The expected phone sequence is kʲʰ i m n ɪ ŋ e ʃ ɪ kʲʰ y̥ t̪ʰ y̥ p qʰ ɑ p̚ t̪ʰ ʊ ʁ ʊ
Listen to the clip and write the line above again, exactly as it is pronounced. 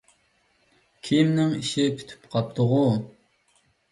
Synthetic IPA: kʲʰ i m n ɪ ŋ i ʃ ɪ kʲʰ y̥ t̪ʰ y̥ p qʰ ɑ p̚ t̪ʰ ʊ ʁ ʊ